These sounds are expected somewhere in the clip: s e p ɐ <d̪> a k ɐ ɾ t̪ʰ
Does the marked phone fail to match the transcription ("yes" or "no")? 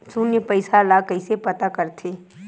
yes